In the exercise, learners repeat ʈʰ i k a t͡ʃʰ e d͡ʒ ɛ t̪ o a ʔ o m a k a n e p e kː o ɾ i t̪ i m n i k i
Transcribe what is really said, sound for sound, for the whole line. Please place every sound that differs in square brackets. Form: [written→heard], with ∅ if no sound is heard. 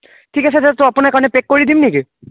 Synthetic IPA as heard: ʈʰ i k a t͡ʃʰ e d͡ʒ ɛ t̪ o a [ʔ→p] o [m→n] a k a n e p e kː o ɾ i [t̪→d̪] i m n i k i

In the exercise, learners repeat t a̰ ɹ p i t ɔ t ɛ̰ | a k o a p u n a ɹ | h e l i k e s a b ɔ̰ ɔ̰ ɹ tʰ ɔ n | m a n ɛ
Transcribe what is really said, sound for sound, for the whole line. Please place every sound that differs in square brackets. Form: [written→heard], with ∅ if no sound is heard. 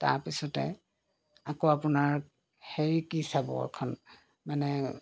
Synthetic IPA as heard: t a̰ ɹ p i [t→s] ɔ t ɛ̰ | a k o a p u n a ɹ | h e [l→ɹ] i k [e→i] s a b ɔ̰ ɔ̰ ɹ [tʰ→kʰ] ɔ n | m a n ɛ

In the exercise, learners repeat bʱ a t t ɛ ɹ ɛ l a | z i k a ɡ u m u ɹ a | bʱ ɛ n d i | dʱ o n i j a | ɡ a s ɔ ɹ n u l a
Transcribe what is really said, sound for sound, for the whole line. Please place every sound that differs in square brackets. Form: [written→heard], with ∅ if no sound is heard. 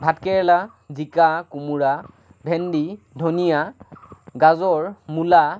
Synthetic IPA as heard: bʱ a t [t→k] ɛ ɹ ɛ l a | z i k a [ɡ→k] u m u ɹ a | bʱ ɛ n d i | dʱ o n i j a | ɡ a [s→z] ɔ ɹ [n→m] u l a

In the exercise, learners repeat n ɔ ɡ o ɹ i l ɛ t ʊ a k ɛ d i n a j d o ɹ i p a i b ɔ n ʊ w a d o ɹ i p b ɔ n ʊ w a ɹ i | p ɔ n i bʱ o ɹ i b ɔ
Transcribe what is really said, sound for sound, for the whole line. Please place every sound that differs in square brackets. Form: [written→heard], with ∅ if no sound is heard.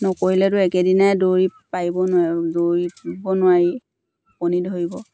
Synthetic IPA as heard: n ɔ [ɡ→k] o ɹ i l ɛ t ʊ [a→ɛ] k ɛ d i n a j d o ɹ i p a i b ɔ n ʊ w a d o ɹ i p b ɔ n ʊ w a ɹ i | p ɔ n i [bʱ→dʱ] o ɹ i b ɔ

